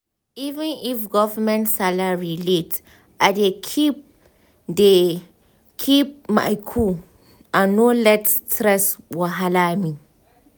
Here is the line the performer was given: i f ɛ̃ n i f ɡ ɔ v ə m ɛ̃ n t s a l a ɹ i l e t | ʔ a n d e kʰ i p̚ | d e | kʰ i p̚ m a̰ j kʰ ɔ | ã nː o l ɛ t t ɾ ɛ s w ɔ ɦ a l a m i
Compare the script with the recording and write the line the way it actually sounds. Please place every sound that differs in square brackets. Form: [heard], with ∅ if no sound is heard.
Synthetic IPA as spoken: i [v] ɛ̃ n i f ɡ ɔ v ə m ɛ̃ n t s a l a ɹ i l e t | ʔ a [∅] d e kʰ i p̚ | d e | kʰ i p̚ m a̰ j kʰ [u] | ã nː o l ɛ t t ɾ ɛ s w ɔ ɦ a l a m i